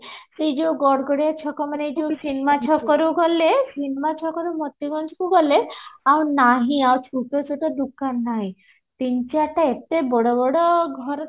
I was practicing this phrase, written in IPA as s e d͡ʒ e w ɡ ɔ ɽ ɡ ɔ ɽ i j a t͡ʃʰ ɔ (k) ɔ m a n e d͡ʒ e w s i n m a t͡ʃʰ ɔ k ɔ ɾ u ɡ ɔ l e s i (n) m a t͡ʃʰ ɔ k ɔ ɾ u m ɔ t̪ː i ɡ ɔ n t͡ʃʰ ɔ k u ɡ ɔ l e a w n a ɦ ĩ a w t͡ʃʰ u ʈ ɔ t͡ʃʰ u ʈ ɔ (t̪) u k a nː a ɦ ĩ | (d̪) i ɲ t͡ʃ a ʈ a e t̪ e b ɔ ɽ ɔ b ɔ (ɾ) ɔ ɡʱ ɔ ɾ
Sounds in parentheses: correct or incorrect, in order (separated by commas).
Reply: correct, correct, incorrect, incorrect, incorrect